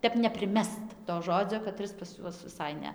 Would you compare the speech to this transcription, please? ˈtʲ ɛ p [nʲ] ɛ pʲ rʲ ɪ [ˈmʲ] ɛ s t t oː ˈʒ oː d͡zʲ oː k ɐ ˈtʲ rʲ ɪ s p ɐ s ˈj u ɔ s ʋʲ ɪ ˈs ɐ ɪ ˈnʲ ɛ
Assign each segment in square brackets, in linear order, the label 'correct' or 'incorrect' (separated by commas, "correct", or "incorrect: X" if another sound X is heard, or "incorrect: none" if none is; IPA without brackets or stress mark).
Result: correct, correct